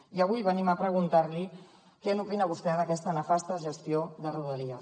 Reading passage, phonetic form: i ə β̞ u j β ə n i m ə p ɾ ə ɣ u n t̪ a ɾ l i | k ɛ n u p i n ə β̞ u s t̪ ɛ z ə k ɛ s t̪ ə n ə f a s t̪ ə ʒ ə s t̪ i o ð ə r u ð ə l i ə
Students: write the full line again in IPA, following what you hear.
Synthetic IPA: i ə β̞ u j β ə n i m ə p ɾ ə ɣ u n t̪ a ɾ l i | k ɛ n u p i n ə β̞ u s t̪ ɛ ð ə k ɛ s t̪ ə n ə f a s t̪ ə ʒ ə s t̪ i o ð ə r u ð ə l i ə